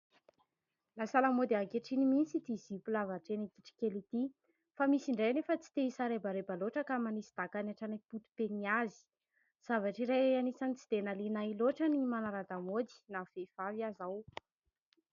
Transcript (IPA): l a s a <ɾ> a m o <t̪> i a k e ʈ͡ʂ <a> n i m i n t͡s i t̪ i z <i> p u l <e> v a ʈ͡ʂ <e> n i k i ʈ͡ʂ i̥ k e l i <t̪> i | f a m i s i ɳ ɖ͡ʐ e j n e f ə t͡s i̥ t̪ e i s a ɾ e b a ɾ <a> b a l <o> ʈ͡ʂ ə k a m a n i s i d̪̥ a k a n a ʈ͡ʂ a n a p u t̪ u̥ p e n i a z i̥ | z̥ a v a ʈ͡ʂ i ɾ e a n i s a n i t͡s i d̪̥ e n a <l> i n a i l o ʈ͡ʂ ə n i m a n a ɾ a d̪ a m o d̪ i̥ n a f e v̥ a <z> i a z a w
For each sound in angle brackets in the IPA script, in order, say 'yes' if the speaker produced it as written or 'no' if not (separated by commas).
no, no, no, yes, no, yes, yes, no, yes, yes, no